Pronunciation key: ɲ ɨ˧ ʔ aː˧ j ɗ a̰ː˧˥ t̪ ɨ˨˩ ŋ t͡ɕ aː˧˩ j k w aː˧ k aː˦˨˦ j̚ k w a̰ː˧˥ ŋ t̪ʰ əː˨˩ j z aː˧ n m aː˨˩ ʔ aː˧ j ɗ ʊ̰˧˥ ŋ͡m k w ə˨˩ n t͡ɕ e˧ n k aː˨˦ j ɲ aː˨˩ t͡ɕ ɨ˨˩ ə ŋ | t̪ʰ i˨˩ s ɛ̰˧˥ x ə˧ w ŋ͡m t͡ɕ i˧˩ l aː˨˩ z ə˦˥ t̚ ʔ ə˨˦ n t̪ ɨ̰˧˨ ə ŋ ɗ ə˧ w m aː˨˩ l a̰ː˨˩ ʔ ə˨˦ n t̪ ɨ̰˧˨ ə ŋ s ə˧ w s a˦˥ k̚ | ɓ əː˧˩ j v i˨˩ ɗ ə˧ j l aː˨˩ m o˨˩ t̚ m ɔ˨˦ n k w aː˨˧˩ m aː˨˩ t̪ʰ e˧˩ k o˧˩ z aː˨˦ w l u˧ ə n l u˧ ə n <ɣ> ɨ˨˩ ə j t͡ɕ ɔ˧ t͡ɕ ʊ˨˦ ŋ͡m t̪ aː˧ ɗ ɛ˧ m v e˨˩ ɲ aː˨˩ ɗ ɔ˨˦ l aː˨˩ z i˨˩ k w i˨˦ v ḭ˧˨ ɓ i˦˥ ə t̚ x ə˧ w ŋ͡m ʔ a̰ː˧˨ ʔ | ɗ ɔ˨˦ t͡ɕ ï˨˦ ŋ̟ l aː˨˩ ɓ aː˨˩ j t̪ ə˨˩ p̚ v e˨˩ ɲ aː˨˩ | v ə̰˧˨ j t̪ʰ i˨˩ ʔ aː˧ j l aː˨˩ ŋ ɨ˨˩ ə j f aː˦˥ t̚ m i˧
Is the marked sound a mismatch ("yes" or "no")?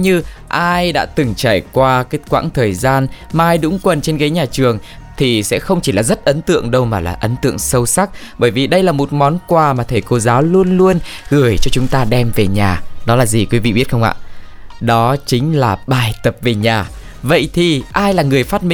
no